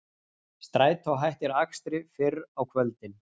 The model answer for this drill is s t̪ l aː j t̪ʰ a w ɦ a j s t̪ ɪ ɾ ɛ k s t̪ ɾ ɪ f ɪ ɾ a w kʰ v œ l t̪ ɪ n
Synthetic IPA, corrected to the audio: s t̪ ɾ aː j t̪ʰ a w ɦ a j h t̪ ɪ ɾ a k s t̪ ɾ ɪ f ɪ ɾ a w kʰ v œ l t̪ ɪ n